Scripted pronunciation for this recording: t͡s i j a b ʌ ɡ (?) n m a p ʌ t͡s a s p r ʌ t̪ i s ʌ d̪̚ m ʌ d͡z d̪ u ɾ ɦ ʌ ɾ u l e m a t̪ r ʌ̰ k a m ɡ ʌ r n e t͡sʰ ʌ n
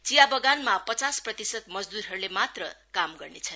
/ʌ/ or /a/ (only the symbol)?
a